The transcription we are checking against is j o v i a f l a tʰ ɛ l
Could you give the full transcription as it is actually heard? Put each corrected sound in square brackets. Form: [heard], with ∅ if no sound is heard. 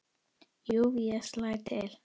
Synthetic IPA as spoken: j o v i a [s] l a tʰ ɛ l

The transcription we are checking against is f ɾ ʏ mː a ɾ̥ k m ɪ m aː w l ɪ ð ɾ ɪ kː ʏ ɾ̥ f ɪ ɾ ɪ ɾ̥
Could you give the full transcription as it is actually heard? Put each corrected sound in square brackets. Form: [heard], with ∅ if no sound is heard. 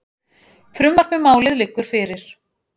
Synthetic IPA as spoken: f ɾ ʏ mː a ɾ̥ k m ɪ m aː w l ɪ ð [l] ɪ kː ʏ ɾ̥ f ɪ ɾ ɪ ɾ̥

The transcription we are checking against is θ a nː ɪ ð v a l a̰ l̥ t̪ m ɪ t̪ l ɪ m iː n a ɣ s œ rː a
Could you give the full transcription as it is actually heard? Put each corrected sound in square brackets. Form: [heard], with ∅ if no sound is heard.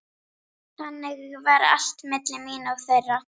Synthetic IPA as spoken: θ a nː ɪ [ɣ] v a [ɾ] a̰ l̥ t̪ m ɪ t̪ l ɪ m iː n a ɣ [θ] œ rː a

